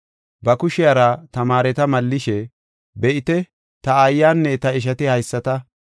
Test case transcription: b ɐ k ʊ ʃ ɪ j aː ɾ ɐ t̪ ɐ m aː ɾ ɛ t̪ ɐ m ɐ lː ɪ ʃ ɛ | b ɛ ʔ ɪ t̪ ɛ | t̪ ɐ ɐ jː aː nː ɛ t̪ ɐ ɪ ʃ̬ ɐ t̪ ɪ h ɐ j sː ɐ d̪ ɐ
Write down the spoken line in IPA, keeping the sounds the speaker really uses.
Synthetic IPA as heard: b ɐ k ʊ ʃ ɪ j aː ɾ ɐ t̪ ɐ m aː ɾ ɛ t̪ ɐ m ɐ lː ɪ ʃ ɛ | b ɛ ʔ ɪ t̪ ɛ | t̪ ɐ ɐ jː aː nː ɛ t̪ ɐ ɪ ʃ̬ ɐ t̪ ɪ h ɐ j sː ɐ t̪ ɐ